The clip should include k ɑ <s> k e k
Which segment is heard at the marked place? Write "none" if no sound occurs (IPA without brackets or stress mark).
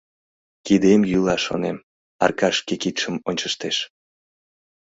ʃ